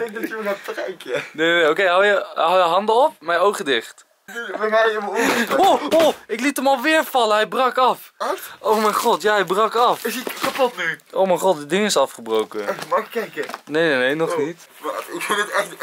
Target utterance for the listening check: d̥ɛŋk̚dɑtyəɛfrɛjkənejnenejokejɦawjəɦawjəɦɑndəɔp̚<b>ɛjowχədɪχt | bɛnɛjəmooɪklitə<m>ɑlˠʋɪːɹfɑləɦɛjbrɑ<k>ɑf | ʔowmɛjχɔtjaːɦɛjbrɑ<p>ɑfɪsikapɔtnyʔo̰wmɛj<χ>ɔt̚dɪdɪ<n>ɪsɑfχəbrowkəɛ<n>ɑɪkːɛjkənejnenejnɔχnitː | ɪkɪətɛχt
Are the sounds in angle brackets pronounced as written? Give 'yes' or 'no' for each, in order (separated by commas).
no, yes, yes, no, yes, no, no